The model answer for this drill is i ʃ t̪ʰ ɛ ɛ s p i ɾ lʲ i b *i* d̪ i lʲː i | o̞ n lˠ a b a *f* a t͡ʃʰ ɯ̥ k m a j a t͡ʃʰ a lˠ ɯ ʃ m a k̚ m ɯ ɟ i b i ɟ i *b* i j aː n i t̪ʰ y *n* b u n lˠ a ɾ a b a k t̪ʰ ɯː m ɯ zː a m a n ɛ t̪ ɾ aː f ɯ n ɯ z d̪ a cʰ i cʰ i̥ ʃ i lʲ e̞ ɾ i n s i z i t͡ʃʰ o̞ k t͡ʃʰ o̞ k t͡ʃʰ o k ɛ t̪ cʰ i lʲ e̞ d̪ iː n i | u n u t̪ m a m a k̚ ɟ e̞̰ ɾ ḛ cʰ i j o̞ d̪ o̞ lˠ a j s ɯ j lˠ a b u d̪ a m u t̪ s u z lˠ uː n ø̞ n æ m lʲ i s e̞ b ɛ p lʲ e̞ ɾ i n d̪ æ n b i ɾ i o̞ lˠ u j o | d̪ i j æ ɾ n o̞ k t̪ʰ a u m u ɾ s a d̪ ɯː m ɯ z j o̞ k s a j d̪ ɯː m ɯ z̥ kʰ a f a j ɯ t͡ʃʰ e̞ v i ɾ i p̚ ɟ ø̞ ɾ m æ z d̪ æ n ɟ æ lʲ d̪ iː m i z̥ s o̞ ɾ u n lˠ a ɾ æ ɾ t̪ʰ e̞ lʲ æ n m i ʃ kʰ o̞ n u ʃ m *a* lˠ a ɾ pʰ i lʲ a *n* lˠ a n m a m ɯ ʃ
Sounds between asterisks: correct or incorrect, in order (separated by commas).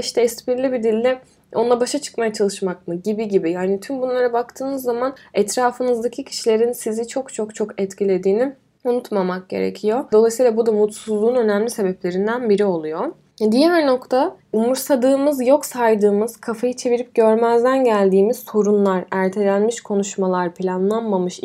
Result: correct, incorrect, correct, incorrect, correct, correct